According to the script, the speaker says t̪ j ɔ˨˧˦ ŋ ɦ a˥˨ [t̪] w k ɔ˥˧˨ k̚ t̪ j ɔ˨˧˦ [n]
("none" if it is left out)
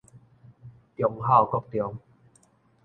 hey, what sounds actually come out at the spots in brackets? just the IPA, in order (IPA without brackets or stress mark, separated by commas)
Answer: none, ŋ